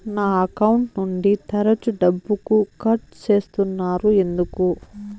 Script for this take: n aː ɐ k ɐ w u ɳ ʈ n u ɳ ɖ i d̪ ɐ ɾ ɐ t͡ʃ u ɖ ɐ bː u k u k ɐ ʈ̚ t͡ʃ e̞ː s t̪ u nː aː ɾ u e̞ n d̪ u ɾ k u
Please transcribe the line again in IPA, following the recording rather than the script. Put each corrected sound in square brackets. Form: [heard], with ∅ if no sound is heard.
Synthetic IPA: n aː ɐ k ɐ w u ɳ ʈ n u ɳ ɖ i [t̪] ɐ ɾ ɐ t͡ʃ u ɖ ɐ bː u k u k ɐ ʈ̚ t͡ʃ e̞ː s t̪ u nː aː ɾ u e̞ n d̪ u [∅] k u